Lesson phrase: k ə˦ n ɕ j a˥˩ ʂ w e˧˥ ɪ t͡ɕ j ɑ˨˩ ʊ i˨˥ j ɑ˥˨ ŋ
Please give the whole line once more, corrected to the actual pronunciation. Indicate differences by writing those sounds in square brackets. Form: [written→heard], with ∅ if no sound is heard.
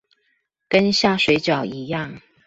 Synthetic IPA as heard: k ə˦ n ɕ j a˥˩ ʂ w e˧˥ ɪ t͡ɕ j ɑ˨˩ ʊ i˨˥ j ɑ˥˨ ŋ